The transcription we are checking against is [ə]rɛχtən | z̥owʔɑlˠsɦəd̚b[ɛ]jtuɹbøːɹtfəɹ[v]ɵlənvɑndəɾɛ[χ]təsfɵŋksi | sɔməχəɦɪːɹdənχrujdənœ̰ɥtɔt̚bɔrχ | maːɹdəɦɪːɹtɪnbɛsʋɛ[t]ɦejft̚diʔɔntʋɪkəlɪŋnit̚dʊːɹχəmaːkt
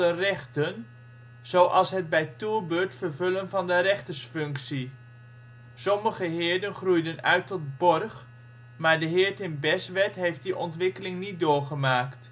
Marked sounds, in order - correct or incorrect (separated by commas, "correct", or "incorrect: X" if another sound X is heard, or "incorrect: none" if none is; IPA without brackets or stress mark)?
correct, correct, correct, correct, correct